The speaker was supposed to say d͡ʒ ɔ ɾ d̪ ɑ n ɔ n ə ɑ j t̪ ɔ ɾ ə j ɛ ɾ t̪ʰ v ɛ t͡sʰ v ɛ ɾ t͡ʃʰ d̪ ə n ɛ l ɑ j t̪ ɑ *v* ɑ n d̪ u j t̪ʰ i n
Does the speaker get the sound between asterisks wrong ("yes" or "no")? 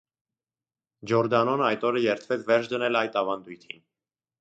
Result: no